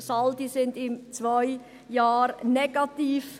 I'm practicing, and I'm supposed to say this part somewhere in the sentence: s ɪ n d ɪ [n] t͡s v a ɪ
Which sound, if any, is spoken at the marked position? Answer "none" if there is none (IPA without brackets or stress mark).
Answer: m